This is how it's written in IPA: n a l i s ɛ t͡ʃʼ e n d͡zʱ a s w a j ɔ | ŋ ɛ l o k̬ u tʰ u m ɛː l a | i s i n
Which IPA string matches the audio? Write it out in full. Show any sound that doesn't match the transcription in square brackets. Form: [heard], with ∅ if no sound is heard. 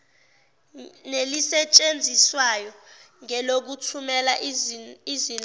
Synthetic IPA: n [e] l i s ɛ t͡ʃʼ e n d͡zʱ [i] s w a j ɔ | ŋ ɛ l o k̬ u tʰ u m [ɛ] l a | i [z] i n